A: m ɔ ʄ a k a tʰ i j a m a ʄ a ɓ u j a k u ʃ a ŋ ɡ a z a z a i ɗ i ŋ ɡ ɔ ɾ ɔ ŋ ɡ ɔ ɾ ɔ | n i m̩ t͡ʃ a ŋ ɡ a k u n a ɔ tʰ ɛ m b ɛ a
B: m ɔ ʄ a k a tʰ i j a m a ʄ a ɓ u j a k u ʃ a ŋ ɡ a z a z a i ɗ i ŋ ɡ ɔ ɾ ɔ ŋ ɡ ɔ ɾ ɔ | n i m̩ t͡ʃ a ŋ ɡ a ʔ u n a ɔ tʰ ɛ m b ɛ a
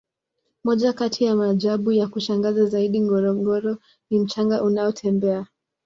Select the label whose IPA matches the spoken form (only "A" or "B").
B